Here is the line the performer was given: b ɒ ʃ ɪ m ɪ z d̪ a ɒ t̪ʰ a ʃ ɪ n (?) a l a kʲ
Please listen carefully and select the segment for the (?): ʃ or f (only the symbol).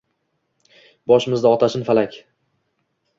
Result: f